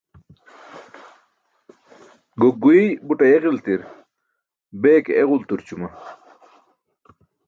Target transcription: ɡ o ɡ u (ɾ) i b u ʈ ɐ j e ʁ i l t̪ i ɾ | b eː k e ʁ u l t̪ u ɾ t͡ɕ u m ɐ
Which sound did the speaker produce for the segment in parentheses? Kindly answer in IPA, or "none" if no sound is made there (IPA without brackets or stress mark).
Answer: none